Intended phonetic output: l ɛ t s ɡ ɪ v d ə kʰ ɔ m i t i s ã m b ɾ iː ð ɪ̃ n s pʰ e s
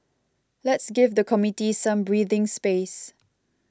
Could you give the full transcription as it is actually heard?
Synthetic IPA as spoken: l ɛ t s ɡ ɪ v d ə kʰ ɔ m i t i s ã m b ɹ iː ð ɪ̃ ŋ s p e s

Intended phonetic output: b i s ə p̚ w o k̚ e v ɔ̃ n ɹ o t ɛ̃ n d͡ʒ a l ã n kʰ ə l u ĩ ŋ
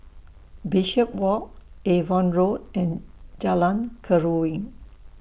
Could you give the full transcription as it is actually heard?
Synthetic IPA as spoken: b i ʃ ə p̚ w ɔ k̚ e v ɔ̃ n ɹ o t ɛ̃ n d͡ʒ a l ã n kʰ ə ɹ u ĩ ŋ

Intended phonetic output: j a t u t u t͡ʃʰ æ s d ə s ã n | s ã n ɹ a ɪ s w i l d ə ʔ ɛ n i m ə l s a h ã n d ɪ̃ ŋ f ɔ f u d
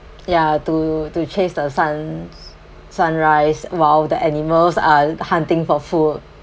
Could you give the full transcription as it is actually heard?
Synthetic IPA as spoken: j a t u t u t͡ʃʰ e s d ə s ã n | s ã n ɹ a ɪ s w a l d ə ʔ ɛ n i m ə l s a h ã n t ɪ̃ ŋ f ɔ f u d

